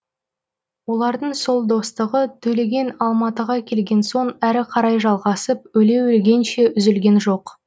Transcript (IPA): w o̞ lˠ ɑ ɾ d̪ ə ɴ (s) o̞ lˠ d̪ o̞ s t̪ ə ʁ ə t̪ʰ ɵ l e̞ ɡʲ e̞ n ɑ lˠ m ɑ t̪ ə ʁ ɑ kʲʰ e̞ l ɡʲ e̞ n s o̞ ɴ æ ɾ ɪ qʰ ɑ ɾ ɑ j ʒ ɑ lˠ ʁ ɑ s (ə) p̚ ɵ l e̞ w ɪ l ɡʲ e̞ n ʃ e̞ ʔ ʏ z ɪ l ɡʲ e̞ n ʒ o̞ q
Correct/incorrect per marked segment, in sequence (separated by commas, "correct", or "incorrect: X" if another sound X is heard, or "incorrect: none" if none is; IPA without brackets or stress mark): correct, correct